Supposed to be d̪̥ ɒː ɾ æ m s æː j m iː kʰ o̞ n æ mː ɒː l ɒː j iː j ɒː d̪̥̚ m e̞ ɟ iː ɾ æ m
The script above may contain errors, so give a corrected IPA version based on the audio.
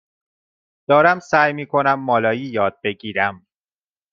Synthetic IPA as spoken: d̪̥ ɒː ɾ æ m s æː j m iː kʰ o̞ n æ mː ɒː l ɒː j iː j ɒː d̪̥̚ b e̞ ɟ iː ɾ æ m